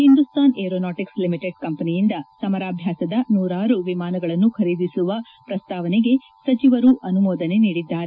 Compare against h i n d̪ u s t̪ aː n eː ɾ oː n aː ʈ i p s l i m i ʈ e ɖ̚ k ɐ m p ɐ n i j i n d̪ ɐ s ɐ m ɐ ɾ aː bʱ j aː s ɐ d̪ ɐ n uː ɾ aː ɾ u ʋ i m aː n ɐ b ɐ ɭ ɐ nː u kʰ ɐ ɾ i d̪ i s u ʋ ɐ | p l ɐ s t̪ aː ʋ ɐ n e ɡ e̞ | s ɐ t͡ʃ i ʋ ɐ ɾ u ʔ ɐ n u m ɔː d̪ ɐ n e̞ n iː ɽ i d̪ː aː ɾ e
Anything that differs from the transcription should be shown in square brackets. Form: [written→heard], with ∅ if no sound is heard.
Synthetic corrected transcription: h i n d̪ u s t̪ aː n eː ɾ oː n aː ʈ i [p→k] s l i m i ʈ e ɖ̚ k ɐ m p ɐ n i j i n d̪ ɐ s ɐ m ɐ ɾ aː bʱ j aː s ɐ d̪ ɐ n uː ɾ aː ɾ u ʋ i m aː n ɐ [b→ɡ] ɐ ɭ ɐ nː u kʰ ɐ ɾ i d̪ i s u ʋ ɐ | p [l→ɾ] ɐ s t̪ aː ʋ ɐ n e ɡ e̞ | s ɐ t͡ʃ i ʋ ɐ ɾ u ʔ ɐ n u m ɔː d̪ ɐ n e̞ n iː ɽ i d̪ː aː ɾ e